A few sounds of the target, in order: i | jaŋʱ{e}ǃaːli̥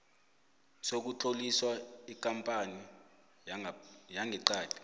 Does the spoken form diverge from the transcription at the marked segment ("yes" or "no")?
yes